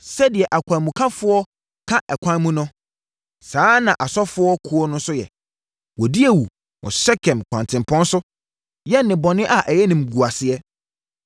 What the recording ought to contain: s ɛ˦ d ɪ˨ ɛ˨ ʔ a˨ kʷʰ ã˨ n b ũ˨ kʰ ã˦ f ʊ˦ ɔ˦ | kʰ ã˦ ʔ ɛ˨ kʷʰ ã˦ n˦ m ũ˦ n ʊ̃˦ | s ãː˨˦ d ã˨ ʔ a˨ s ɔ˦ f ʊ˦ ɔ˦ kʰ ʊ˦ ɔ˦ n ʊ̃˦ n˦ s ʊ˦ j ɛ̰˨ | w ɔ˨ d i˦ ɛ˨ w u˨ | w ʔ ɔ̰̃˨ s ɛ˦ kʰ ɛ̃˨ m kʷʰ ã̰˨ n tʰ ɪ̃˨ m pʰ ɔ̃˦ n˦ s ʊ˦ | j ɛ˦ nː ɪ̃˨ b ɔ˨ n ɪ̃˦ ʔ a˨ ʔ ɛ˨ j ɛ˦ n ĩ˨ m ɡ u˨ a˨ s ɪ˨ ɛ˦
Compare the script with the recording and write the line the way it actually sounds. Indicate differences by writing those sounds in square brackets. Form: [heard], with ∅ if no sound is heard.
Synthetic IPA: s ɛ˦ d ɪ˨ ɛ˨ ʔ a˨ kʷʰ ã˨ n [m] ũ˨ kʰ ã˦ f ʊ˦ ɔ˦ | kʰ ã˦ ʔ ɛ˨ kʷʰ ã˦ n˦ m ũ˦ n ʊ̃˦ | s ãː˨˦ [n] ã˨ ʔ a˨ s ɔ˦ f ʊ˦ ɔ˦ kʰ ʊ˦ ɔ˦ n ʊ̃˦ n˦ s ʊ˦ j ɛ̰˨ | w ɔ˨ d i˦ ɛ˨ w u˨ | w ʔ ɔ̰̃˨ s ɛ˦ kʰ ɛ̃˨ m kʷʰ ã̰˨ n tʰ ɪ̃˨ m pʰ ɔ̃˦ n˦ s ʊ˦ | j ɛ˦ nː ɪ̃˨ b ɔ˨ n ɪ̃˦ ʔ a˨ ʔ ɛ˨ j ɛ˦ n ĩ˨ m ɡ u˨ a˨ s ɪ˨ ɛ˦